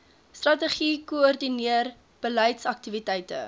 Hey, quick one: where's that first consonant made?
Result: tongue tip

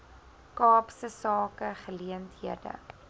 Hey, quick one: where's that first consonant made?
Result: velum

